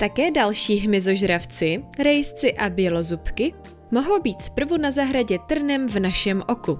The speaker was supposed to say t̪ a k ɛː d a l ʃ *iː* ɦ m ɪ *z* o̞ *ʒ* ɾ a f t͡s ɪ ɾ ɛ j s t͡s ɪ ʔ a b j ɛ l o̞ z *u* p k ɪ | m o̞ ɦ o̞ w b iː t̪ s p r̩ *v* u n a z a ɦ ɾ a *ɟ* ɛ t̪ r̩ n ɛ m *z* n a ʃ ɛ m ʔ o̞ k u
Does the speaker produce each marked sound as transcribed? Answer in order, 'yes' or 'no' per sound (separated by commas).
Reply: yes, yes, yes, yes, yes, yes, no